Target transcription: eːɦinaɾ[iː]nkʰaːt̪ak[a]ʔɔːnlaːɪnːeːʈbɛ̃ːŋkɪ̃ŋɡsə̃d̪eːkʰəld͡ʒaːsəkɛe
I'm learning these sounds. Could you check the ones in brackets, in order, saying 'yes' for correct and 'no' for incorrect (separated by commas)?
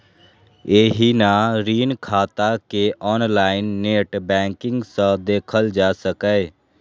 yes, no